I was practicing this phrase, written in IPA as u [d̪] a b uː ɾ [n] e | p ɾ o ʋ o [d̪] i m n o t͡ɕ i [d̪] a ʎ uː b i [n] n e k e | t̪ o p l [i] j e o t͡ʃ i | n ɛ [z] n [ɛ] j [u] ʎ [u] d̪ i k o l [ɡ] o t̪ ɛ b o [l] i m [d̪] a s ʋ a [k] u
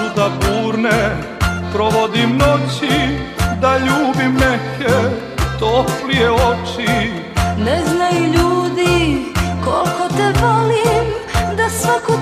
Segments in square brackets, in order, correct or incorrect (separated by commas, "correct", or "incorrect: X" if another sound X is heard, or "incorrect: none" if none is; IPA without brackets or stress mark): correct, correct, correct, correct, incorrect: m, correct, correct, incorrect: a, correct, incorrect: uː, incorrect: k, correct, correct, correct